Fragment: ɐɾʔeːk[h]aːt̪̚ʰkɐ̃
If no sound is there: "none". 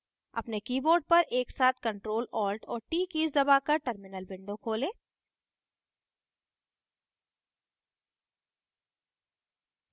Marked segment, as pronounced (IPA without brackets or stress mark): s